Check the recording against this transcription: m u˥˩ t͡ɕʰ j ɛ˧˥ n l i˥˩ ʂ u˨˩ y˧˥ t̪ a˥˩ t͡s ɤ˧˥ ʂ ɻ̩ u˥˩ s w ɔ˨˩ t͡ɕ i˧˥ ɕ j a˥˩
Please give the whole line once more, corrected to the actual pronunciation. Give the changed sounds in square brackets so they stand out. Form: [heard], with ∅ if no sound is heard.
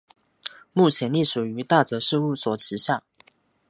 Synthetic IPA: m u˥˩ t͡ɕʰ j ɛ˧˥ n l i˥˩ ʂ u˨˩ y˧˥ t̪ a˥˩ t͡s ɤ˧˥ ʂ ɻ̩ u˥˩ s w ɔ˨˩ [t͡ɕʰ] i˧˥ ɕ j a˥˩